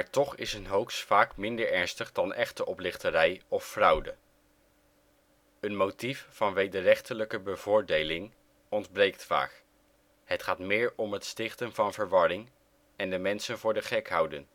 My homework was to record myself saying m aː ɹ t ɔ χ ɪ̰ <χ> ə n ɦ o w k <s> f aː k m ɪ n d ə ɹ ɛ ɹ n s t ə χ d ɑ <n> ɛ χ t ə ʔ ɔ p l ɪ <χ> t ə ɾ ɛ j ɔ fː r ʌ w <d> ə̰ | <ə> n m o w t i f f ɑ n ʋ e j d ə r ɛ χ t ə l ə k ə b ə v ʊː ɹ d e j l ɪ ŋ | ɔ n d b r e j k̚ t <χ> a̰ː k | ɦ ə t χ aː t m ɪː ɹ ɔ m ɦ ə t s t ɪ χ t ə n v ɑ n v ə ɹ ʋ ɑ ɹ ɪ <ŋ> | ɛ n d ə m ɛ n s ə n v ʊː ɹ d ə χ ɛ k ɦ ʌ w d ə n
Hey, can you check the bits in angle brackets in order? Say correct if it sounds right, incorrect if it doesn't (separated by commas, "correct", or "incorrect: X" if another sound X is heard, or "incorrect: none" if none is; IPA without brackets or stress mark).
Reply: incorrect: s, correct, correct, correct, correct, correct, incorrect: f, correct